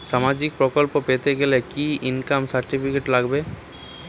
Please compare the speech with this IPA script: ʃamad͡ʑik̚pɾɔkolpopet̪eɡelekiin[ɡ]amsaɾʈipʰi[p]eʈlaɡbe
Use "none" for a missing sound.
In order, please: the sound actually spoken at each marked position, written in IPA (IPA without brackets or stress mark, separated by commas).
k, k